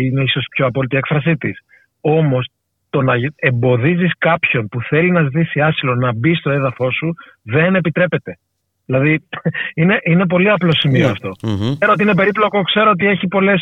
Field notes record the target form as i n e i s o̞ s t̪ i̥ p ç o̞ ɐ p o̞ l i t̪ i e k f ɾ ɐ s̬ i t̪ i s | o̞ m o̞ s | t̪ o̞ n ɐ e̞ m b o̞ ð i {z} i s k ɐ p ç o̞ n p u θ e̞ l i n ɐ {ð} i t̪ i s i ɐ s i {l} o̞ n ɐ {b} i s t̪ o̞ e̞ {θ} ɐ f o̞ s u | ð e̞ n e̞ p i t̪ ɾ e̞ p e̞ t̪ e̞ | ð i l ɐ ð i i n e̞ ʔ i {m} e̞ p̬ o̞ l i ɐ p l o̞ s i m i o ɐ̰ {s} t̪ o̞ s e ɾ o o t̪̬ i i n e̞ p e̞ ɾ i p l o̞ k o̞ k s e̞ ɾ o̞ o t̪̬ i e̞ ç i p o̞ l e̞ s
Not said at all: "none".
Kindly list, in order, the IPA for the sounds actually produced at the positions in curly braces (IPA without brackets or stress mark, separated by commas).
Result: z, z, l, b, ð, n, f